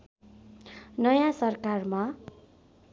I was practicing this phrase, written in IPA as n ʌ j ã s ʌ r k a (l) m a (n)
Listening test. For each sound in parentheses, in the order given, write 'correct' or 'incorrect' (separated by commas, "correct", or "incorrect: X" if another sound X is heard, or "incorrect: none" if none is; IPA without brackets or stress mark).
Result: incorrect: r, incorrect: none